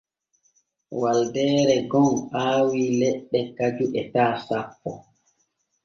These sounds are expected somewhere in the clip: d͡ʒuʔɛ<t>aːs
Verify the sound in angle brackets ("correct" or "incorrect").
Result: correct